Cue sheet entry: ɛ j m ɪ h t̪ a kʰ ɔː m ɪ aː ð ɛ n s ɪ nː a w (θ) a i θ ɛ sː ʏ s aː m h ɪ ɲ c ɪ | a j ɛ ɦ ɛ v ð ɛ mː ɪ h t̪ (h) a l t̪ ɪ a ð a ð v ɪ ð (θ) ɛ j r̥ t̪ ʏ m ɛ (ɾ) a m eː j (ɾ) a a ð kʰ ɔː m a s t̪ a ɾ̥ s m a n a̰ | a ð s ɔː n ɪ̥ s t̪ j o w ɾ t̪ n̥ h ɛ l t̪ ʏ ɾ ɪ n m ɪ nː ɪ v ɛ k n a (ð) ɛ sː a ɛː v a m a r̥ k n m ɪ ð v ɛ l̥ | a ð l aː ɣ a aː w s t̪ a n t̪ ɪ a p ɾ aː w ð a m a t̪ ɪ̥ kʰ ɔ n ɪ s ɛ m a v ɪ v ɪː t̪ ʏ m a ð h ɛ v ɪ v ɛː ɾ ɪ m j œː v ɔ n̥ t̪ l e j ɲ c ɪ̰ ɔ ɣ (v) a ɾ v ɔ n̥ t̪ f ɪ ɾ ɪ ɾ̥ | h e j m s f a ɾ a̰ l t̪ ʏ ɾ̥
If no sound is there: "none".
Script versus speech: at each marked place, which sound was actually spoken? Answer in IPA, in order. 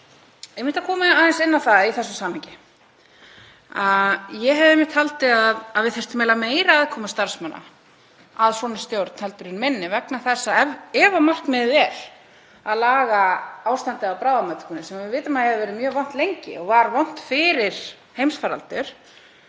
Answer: θ, h, θ, l, ɾ, θ, v

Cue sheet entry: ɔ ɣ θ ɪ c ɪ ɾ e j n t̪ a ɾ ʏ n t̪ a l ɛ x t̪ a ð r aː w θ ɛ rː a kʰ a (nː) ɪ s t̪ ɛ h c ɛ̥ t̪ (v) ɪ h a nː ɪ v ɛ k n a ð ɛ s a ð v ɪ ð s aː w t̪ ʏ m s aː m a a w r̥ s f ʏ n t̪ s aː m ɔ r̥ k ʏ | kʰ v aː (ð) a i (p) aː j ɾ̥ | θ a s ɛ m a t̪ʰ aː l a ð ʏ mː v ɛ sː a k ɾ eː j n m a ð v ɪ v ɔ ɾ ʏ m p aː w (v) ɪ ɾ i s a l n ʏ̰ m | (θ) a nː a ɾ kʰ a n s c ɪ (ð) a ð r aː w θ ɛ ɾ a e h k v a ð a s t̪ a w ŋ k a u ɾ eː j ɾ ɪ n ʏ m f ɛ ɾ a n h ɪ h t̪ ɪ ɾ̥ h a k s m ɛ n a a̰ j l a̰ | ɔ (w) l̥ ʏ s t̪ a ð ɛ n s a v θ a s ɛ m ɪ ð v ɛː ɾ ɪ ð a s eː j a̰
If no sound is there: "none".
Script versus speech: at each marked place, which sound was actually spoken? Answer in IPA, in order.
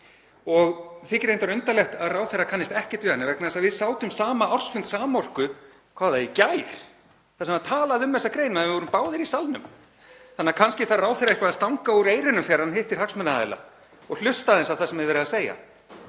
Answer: nː, v, ð, c, ð, θ, θ, ɣ

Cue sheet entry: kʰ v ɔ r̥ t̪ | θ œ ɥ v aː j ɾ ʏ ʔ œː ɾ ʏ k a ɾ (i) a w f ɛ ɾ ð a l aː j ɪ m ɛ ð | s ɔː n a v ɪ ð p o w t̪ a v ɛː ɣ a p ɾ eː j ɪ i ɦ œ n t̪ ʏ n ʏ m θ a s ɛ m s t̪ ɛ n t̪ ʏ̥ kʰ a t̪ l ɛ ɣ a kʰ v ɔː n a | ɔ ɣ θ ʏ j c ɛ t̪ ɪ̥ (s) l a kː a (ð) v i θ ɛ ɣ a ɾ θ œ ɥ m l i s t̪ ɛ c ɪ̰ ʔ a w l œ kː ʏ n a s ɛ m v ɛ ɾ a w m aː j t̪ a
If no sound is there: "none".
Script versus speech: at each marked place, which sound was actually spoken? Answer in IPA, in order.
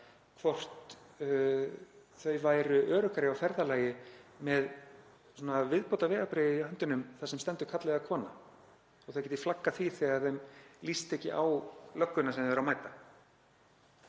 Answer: ɪ, f, θ

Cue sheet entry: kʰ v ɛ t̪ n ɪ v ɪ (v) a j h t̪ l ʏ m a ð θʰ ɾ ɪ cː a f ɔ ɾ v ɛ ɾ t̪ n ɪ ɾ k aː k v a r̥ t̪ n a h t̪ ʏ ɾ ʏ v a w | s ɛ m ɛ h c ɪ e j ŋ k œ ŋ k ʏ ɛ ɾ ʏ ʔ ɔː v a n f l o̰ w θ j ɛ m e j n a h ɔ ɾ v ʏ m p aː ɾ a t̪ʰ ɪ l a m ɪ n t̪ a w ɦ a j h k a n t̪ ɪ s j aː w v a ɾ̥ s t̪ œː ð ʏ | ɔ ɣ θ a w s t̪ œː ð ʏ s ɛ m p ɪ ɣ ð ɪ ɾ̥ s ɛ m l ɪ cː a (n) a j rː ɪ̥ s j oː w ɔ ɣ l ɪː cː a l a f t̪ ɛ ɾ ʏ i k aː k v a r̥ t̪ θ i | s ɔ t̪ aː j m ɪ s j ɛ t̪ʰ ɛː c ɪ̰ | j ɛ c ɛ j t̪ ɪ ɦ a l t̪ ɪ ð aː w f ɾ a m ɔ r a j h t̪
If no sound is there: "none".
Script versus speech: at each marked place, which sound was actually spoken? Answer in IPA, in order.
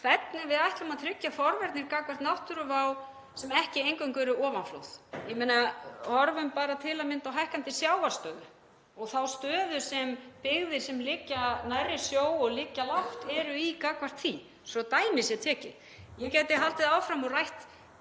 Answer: ð, n

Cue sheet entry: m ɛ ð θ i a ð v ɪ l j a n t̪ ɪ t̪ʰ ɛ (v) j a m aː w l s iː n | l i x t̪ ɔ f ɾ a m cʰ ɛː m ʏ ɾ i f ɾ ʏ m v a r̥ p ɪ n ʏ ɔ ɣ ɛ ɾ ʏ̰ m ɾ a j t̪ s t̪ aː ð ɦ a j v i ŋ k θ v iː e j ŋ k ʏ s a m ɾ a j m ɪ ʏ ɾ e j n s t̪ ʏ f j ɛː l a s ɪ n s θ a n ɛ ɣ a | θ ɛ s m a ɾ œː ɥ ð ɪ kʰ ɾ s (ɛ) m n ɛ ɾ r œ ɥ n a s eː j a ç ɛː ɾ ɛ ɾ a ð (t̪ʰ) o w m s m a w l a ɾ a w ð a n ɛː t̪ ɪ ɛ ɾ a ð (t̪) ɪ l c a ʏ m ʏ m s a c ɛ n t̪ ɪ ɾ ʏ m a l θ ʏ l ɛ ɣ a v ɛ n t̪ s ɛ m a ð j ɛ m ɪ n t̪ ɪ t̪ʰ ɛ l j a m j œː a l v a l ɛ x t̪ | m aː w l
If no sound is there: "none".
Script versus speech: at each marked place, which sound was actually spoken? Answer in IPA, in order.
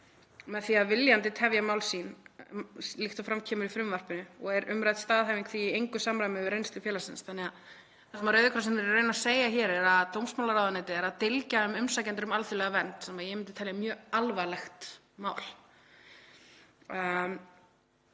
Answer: v, ɛ, t̪, t̪

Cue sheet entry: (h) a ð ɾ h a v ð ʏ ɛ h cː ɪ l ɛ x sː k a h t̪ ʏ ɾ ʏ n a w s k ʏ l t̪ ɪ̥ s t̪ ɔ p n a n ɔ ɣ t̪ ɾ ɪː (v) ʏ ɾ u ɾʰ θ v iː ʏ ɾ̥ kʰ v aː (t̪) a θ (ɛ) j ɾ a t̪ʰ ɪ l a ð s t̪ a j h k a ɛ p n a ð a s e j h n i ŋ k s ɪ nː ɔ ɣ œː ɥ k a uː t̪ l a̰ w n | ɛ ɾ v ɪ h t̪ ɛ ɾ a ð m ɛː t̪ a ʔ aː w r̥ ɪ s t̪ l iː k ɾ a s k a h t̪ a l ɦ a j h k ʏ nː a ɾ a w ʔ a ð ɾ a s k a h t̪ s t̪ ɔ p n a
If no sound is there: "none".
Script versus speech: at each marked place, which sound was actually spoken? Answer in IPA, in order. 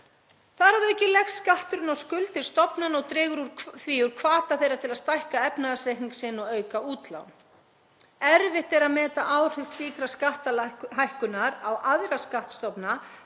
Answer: θ, ɣ, t̪, e

